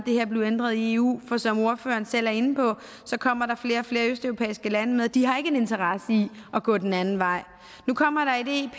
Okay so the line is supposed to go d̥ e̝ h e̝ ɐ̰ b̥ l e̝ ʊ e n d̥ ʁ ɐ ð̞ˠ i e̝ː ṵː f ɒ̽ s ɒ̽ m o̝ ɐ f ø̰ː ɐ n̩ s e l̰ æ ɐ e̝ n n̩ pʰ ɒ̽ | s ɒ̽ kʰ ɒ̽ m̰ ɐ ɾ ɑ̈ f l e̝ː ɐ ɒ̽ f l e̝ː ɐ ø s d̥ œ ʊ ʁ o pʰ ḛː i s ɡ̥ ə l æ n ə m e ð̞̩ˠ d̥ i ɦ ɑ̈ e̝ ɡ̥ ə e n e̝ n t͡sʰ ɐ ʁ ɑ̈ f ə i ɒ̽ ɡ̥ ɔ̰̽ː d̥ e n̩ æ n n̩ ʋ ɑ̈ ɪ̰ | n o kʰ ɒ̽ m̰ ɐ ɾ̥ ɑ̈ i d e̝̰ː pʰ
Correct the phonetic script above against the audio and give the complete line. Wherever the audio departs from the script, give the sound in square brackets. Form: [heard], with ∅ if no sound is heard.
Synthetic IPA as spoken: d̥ e̝ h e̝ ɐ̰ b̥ l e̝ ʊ e n d̥ ʁ ɐ ð̞ˠ i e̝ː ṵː f ɒ̽ s ɒ̽ m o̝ ɐ f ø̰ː ɐ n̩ s e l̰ æ ɐ e̝ n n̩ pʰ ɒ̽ | s ɒ̽ kʰ ɒ̽ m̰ ɐ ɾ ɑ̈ f l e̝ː ɐ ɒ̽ f l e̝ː ɐ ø s d̥ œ ʊ ʁ o pʰ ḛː i s ɡ̥ ə l æ n ə m e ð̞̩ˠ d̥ i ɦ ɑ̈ e̝ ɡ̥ ə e n e̝ n t͡sʰ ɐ ʁ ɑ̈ [s] ə i ɒ̽ ɡ̥ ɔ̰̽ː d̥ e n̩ æ n n̩ ʋ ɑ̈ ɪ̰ | n [u] kʰ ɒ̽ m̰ ɐ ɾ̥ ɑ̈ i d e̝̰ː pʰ